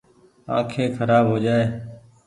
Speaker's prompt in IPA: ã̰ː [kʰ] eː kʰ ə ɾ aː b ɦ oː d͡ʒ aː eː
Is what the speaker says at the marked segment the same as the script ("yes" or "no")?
yes